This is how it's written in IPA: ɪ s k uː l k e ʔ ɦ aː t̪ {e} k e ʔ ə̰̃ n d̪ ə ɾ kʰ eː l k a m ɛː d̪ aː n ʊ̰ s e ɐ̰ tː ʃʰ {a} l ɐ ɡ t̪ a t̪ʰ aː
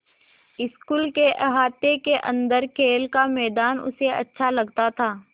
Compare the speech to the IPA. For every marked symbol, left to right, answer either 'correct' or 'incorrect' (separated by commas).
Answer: correct, correct